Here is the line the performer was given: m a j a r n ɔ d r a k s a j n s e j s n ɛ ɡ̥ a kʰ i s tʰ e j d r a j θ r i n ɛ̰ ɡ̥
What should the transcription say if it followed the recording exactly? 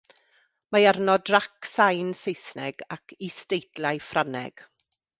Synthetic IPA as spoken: m a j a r n ɔ d r a k s a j n s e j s n ɛ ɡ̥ a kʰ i s t e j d l a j f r a n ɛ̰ ɡ̥